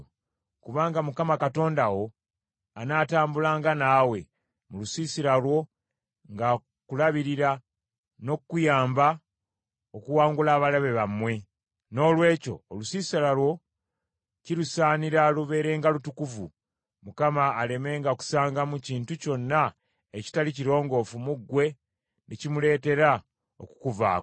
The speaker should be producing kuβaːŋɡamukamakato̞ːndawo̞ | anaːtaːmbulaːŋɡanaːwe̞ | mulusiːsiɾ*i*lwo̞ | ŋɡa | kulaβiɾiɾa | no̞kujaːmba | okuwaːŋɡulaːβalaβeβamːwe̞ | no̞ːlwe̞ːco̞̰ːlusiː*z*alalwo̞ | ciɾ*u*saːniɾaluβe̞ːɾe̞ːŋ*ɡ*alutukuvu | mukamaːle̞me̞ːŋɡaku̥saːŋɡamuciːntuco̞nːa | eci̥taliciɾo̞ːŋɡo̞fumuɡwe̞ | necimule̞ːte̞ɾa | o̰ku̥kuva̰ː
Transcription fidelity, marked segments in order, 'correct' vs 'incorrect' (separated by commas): incorrect, incorrect, correct, correct